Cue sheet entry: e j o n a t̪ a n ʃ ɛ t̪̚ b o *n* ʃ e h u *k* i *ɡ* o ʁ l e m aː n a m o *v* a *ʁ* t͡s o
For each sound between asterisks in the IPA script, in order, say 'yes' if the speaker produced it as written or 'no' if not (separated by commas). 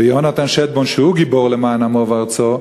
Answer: yes, no, no, yes, yes